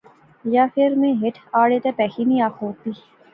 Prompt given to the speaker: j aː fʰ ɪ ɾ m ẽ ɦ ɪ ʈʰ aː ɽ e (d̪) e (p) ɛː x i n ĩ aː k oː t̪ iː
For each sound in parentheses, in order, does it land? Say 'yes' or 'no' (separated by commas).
no, yes